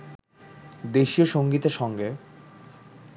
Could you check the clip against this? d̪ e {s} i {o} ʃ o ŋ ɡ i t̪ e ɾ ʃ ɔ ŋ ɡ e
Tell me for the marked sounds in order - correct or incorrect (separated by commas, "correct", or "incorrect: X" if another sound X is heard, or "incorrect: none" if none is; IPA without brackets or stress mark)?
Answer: incorrect: ʃ, correct